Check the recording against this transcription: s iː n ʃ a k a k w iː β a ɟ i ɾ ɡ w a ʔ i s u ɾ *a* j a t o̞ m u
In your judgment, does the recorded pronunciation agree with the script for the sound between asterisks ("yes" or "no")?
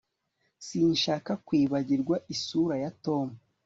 yes